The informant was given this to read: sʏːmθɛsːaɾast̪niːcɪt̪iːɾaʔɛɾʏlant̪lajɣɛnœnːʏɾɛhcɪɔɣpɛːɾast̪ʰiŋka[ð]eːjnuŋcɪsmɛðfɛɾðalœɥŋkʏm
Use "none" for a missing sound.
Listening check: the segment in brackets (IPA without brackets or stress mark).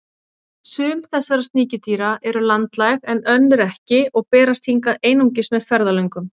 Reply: ð